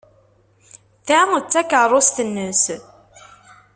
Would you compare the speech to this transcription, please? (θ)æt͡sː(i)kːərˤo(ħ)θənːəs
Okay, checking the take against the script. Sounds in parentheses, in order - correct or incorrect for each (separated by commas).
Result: correct, incorrect, incorrect